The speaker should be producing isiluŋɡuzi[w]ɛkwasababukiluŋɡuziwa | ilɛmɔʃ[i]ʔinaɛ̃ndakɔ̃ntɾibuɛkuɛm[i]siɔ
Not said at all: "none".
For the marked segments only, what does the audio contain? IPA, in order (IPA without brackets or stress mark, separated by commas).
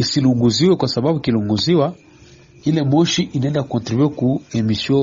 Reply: w, i, i